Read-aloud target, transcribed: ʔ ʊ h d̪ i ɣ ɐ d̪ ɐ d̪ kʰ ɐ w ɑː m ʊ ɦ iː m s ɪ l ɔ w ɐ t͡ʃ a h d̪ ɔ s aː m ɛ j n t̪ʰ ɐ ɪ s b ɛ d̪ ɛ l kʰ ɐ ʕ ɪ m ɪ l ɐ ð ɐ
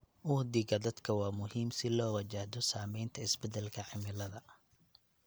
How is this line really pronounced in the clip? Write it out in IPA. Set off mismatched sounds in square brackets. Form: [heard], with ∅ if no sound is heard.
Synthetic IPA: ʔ ʊ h d̪ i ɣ ɐ d̪ ɐ d̪ kʰ ɐ w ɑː m ʊ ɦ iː m s ɪ l [ɔː] w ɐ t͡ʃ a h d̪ ɔ s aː m ɛ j n t̪ʰ ɐ ɪ s b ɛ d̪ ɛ l kʰ ɐ ʕ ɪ m ɪ l ɐ ð ɐ